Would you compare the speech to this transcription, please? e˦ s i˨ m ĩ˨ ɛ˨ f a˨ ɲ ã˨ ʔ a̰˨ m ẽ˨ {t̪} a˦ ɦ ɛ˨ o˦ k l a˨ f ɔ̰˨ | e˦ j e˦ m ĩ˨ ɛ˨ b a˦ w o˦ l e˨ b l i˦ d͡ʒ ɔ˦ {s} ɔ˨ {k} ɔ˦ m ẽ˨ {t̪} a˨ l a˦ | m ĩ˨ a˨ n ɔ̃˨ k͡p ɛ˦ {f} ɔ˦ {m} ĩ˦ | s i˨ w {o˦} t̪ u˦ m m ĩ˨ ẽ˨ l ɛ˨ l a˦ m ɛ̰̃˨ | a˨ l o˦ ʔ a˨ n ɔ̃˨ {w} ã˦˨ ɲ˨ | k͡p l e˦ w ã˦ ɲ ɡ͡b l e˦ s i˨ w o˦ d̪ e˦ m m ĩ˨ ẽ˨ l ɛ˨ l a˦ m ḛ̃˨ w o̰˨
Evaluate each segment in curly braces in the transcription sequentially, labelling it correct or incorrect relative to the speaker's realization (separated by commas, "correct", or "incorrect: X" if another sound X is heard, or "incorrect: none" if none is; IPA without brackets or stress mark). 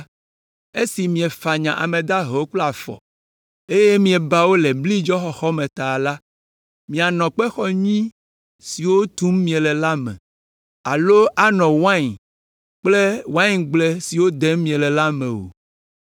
incorrect: d̪, incorrect: x, incorrect: x, correct, incorrect: x, incorrect: ɲ, correct, correct